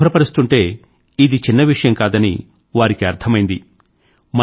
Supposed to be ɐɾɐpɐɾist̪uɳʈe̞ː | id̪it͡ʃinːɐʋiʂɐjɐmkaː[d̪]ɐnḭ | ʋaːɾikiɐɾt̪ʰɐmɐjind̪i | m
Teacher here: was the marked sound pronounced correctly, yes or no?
yes